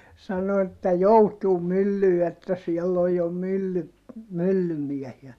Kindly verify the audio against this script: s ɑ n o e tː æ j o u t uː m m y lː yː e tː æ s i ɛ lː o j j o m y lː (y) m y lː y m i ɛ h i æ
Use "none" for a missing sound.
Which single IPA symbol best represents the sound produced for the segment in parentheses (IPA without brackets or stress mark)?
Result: y